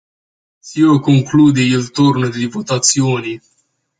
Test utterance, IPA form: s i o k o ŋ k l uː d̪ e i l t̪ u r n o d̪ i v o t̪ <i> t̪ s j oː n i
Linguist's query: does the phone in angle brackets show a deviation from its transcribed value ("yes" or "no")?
yes